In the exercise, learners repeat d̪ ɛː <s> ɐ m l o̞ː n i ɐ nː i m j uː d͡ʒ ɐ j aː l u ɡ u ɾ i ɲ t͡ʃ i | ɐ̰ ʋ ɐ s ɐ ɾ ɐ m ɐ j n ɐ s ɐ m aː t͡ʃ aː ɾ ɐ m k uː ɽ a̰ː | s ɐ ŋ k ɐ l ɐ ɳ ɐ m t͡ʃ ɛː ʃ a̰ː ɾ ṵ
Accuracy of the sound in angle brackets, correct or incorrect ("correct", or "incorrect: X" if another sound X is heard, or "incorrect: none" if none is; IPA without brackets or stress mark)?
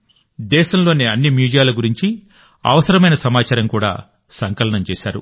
incorrect: ʃ